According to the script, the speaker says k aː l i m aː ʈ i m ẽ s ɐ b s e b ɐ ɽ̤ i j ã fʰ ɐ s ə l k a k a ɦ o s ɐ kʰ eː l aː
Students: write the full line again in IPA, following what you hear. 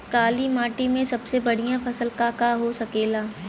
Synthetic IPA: k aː l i m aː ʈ i m ẽ s ɐ b s e b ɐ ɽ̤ i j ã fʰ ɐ s ə l k a k a ɦ o s ɐ k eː l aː